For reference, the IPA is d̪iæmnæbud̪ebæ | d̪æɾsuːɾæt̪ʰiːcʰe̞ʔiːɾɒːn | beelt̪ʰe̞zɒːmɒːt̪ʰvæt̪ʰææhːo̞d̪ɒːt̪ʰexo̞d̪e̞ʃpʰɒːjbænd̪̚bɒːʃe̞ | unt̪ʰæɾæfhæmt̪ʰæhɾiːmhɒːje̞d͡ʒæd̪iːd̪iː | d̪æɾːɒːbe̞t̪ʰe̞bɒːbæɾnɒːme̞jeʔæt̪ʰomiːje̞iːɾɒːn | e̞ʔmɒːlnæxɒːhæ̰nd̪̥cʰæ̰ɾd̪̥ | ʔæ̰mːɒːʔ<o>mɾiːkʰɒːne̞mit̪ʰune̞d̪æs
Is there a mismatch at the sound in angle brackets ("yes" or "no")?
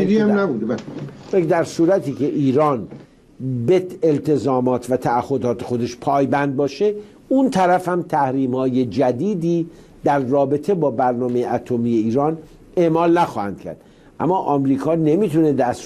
yes